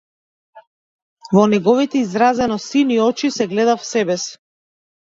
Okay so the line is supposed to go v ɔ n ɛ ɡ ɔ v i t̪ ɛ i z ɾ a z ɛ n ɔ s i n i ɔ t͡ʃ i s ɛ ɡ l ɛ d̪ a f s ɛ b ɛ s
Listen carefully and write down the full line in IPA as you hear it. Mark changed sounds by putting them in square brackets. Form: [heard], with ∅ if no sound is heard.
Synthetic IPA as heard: v ɔ n ɛ ɡ ɔ v i t̪ ɛ i z ɾ a z ɛ n ɔ s i n i ɔ t͡ʃ i s ɛ ɡ l ɛ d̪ a f s ɛ b ɛ s